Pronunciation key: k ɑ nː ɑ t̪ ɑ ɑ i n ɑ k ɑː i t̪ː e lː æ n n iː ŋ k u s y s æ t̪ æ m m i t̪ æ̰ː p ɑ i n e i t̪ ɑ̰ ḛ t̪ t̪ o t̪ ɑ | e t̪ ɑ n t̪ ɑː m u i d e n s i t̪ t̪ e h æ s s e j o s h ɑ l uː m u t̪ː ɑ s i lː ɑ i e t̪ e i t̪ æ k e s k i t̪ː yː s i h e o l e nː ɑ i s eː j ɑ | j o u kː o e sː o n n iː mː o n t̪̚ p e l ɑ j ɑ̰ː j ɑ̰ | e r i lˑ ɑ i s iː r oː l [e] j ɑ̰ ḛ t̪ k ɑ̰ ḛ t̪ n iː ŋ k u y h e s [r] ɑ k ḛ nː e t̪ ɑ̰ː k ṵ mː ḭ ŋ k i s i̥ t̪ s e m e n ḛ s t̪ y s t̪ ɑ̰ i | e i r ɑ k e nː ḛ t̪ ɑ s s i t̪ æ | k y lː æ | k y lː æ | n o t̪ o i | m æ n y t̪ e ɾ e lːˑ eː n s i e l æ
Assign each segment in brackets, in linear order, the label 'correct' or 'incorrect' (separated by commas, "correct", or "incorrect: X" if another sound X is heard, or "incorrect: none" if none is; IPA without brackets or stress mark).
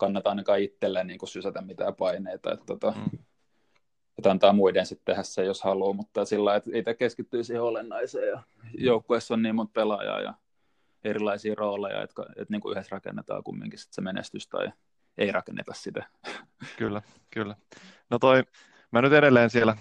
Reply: correct, correct